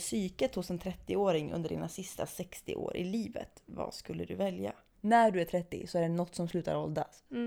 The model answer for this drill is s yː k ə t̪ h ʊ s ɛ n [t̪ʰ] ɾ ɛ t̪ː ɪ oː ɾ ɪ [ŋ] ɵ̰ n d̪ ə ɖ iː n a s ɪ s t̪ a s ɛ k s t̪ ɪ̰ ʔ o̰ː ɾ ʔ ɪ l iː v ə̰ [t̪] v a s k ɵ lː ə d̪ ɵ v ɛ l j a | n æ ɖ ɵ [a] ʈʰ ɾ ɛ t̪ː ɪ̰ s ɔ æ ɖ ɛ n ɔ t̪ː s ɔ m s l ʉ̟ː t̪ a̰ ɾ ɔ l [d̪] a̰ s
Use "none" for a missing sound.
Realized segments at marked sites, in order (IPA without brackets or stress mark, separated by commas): t̪ʰ, ŋ, t̪, æ, d̪